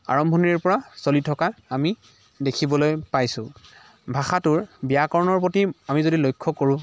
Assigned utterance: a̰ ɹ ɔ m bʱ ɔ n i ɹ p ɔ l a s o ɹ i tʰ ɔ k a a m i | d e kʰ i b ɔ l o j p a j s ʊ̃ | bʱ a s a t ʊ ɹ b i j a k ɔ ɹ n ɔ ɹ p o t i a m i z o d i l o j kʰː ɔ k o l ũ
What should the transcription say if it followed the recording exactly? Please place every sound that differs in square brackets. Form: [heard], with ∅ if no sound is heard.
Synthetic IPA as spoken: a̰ ɹ ɔ m bʱ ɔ n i ɹ p ɔ [ɹ] a s o [l] i tʰ ɔ k a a m i | d e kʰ i b ɔ l o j p a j s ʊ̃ | bʱ a [x] a t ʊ ɹ b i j a k ɔ ɹ n ɔ ɹ p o t i a m i z o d i l o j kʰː ɔ k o [ɹ] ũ